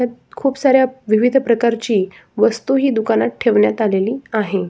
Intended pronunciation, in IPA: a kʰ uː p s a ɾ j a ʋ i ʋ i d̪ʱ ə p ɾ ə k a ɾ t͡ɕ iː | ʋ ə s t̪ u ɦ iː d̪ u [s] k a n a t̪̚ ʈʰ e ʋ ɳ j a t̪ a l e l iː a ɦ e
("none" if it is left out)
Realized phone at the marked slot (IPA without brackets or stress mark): none